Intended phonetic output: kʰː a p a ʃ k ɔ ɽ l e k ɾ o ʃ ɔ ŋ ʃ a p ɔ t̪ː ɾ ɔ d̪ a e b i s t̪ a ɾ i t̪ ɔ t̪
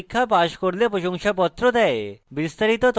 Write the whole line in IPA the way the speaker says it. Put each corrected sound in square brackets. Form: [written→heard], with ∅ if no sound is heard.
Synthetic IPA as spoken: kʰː a p a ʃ k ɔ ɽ l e [k→p] ɾ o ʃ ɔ ŋ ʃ a p ɔ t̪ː ɾ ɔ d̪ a e b i s t̪ a ɾ i t̪ ɔ t̪